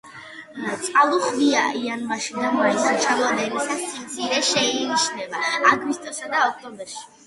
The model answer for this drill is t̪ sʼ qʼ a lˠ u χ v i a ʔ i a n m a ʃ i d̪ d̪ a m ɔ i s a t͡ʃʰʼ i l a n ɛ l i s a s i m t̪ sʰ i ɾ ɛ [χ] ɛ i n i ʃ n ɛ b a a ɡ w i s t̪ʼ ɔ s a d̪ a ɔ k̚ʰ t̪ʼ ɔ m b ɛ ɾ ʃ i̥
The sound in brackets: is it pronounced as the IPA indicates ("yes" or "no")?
no